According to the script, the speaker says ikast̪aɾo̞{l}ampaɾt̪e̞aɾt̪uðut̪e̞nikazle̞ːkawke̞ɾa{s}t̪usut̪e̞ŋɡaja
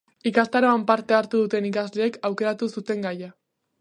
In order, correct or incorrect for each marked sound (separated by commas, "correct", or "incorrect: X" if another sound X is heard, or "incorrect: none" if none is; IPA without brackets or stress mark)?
incorrect: none, incorrect: none